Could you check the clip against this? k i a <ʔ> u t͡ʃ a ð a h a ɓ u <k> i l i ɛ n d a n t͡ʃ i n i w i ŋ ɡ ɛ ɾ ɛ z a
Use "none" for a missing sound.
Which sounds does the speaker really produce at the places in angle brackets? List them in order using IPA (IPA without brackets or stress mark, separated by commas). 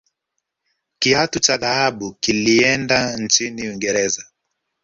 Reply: t, k